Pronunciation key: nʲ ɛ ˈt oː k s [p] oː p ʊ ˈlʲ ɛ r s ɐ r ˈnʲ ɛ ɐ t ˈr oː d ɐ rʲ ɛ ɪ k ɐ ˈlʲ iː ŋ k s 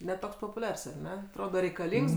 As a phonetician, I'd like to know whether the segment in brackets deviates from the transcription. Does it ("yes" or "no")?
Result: no